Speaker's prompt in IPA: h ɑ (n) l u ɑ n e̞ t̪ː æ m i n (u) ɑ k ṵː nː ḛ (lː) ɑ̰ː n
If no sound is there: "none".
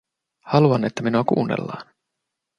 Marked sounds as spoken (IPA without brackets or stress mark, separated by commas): none, u, lː